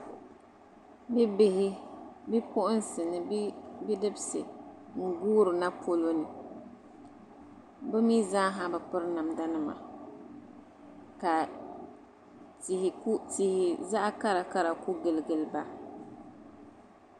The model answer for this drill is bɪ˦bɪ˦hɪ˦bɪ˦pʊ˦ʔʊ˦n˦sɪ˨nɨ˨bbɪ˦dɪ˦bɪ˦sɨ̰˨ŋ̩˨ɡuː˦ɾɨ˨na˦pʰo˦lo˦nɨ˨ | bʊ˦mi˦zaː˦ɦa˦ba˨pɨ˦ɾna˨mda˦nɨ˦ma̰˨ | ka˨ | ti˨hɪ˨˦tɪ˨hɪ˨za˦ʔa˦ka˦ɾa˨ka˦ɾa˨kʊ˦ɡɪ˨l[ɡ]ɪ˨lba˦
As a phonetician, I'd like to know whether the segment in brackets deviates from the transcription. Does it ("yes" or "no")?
no